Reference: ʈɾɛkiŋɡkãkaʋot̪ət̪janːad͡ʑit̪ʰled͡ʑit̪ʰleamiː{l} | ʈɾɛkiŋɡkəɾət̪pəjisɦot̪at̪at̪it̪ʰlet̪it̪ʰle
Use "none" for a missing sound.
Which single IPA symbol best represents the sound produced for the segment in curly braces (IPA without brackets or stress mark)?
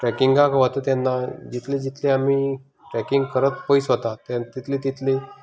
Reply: none